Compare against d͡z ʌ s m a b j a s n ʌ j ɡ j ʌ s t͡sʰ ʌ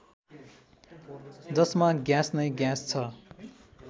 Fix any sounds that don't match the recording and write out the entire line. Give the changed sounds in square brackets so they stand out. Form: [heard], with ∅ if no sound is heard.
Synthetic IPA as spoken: d͡z ʌ s m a [ɡ] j a s n ʌ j ɡ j [a] s t͡sʰ ʌ